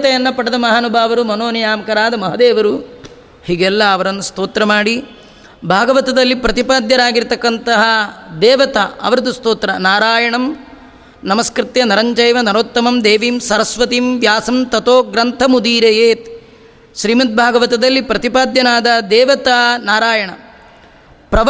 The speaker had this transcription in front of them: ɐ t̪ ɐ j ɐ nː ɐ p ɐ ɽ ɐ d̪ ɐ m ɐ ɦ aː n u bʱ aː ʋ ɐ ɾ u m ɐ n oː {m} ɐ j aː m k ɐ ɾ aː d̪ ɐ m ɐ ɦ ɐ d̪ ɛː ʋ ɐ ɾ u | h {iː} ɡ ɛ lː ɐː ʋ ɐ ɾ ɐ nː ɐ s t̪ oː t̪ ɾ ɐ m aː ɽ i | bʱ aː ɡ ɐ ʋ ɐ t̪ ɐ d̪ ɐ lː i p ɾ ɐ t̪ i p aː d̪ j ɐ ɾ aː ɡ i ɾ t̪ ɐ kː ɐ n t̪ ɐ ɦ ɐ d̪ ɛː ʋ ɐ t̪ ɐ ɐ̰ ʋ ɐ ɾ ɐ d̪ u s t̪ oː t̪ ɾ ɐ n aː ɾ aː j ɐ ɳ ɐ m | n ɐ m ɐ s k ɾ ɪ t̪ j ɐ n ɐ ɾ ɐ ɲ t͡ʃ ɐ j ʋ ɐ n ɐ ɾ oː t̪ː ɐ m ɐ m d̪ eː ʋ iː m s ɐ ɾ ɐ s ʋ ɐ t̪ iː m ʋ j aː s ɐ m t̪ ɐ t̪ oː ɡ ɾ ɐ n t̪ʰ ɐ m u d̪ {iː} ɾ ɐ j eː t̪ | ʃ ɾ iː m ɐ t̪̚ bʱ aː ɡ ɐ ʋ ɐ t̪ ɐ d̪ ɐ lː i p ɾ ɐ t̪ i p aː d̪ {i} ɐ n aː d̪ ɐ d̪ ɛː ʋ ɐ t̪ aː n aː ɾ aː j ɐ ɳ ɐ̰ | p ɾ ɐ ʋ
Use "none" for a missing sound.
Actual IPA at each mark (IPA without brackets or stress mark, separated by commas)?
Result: n, iː, iː, j